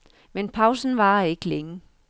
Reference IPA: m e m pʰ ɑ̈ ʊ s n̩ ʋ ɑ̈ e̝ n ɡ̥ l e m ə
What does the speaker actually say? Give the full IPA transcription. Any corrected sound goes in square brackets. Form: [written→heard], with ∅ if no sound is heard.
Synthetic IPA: m e [m→n] pʰ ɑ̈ ʊ s n̩ ʋ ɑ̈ e̝ [n→∅] ɡ̥ l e [m→ŋ] ə